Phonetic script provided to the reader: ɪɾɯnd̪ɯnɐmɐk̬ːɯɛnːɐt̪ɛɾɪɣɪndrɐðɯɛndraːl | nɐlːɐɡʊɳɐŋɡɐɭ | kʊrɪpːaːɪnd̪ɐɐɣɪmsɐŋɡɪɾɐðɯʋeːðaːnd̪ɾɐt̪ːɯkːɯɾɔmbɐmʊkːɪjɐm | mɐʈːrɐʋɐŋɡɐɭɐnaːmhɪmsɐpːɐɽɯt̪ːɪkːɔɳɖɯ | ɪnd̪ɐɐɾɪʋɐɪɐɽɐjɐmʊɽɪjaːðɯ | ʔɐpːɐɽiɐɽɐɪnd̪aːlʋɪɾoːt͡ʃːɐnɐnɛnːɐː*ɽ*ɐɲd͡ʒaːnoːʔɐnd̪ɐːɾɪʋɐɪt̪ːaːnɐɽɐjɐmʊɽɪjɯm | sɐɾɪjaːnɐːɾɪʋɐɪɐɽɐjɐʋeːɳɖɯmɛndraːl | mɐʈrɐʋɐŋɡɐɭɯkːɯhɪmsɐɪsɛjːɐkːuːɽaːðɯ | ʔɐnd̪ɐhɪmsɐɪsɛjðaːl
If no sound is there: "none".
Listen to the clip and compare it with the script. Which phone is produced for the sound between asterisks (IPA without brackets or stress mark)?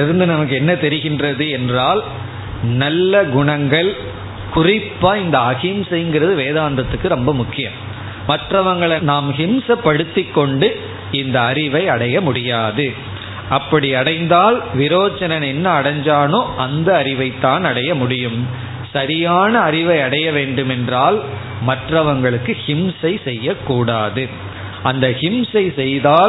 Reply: ɽ